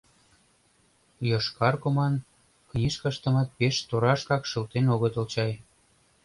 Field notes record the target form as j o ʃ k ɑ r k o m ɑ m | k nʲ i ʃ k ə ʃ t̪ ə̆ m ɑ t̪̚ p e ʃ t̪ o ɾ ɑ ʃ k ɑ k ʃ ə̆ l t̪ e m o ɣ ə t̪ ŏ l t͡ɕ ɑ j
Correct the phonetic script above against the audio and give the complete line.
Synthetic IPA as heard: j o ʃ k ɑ r k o m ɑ n | k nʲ i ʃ k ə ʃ t̪ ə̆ m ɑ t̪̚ p e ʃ t̪ o ɾ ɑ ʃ k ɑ k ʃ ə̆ l t̪ e n o ɣ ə t̪ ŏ l t͡ɕ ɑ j